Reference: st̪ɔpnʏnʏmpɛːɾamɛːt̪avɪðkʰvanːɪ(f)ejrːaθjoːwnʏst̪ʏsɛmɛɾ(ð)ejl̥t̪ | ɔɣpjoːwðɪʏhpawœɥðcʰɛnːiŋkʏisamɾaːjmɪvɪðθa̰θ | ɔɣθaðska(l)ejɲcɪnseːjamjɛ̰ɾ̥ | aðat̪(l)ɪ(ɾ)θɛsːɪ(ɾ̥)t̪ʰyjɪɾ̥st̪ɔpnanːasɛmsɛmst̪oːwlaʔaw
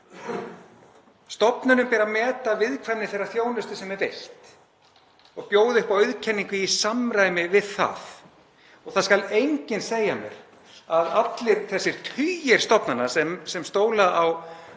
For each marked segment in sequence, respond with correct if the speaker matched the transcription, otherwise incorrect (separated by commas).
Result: incorrect, incorrect, correct, correct, correct, correct